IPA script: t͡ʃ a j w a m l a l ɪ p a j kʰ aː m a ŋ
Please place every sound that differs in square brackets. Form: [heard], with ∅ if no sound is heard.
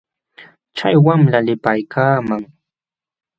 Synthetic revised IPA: t͡ʃ a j w a m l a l ɪ p a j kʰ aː m a ŋ

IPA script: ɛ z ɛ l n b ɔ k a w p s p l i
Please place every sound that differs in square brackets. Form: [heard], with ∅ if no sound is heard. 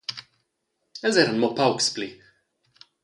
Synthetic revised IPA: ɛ z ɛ [ɾ] n [m] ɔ [p] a w [k] s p l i

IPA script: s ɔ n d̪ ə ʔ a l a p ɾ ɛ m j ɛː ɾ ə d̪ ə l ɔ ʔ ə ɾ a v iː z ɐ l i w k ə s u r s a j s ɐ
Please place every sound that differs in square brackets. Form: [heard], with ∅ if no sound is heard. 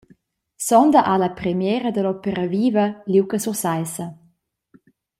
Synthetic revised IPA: s ɔ n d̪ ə ʔ a l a p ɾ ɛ m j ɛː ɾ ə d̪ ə l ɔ [p] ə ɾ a v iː [v] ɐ l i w k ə s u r s a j s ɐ

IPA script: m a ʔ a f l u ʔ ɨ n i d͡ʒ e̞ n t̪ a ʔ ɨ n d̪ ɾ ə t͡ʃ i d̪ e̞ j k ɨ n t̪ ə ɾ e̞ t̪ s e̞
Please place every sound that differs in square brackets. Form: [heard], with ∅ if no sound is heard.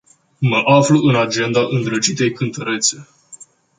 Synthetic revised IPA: m [ə] ʔ a f l u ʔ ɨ n [a] d͡ʒ e̞ n [d̪] a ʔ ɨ n d̪ ɾ ə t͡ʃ i [t̪] e̞ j k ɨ n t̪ ə ɾ e̞ t̪ s e̞

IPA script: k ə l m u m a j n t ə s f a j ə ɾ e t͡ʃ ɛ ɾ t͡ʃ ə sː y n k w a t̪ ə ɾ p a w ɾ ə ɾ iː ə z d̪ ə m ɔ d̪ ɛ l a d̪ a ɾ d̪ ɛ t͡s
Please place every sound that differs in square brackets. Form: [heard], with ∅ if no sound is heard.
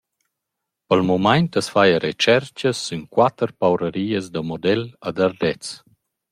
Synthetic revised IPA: [p] ə l m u m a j n t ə s f a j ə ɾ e t͡ʃ ɛ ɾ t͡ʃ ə sː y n k w a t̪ ə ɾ p a w ɾ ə ɾ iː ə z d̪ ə m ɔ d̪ ɛ l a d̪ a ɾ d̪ ɛ t͡s

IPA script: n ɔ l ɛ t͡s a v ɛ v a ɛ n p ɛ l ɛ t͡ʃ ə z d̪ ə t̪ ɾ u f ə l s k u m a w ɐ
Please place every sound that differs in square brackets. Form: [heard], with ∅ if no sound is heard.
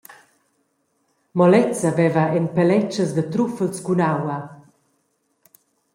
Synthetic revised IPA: [m] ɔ l ɛ t͡s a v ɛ v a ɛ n p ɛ l ɛ t͡ʃ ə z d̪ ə t̪ ɾ u f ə l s k u [n] a w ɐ

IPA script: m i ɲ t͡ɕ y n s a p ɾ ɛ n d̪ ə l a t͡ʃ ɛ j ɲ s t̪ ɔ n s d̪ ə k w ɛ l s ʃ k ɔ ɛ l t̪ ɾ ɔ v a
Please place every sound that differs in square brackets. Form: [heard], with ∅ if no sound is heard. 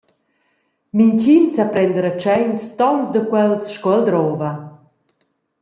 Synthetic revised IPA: m i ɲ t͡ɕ [i] n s a p ɾ ɛ n d̪ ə [ɾ] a t͡ʃ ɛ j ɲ s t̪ ɔ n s d̪ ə k w ɛ l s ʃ k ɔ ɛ l [d̪] ɾ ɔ v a

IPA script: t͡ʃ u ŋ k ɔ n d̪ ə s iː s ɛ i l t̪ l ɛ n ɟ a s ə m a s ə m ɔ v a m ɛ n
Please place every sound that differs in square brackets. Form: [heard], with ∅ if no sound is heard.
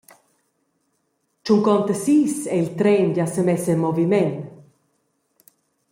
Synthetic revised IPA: t͡ʃ u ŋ k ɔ n [t̪] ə s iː s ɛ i l t̪ [ɾ] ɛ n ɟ a s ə m [ɛ] s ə m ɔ v [i] m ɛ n

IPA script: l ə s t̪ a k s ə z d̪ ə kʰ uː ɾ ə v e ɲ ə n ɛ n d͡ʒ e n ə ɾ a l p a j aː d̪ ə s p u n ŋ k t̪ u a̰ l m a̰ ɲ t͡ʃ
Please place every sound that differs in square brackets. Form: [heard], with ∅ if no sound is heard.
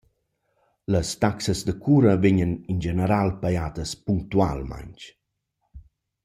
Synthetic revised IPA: l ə s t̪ a k s ə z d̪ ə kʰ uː ɾ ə v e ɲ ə n [i] n d͡ʒ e n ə ɾ a l p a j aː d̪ ə s p u [∅] ŋ k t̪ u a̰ l m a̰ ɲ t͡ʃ

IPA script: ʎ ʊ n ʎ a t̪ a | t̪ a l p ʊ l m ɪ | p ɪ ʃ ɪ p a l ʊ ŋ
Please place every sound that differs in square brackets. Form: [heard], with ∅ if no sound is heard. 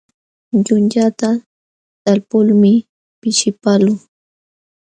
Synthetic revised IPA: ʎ ʊ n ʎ a t̪ a | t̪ a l p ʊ l m ɪ | p ɪ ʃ ɪ p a l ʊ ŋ

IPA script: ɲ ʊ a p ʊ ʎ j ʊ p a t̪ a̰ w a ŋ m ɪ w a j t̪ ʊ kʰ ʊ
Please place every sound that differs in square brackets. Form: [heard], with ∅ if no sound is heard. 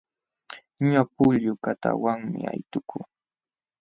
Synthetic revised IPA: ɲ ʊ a p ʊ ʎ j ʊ [k] a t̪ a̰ w a ŋ m ɪ [∅] a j t̪ ʊ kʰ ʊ

